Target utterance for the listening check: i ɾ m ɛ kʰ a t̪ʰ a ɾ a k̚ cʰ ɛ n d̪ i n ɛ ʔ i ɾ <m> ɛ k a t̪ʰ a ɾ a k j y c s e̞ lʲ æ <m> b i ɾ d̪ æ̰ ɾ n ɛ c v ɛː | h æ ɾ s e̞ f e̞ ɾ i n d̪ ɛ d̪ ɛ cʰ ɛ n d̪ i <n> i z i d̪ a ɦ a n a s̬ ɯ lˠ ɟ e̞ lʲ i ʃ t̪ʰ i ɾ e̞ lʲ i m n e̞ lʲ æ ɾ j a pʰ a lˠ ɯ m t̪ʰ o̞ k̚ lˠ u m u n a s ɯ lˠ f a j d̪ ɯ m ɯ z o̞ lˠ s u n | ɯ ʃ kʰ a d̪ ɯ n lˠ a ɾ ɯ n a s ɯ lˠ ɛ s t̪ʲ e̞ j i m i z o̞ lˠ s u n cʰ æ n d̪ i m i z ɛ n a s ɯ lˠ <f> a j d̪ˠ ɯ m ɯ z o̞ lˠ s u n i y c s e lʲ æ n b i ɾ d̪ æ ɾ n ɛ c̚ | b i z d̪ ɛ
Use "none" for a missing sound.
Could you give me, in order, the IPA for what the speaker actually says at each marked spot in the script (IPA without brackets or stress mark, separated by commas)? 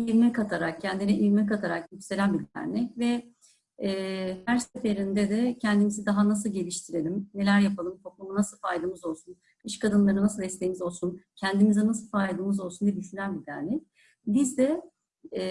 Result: m, n, m, f